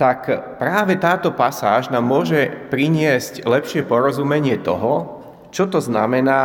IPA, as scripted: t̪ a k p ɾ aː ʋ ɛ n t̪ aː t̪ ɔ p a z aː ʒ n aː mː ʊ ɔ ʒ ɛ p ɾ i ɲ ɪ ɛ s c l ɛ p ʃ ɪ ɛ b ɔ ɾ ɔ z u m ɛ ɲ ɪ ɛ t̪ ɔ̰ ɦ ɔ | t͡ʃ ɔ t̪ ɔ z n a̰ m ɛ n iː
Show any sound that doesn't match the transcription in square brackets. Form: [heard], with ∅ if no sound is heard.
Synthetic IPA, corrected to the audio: t̪ a k p ɾ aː ʋ ɛ [∅] t̪ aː t̪ ɔ p a [s] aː ʒ n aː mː ʊ ɔ ʒ ɛ p ɾ i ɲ ɪ ɛ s c l ɛ p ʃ ɪ ɛ [p] ɔ ɾ ɔ z u m ɛ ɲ ɪ ɛ t̪ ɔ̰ ɦ ɔ | t͡ʃ ɔ t̪ ɔ z n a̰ m ɛ n [aː]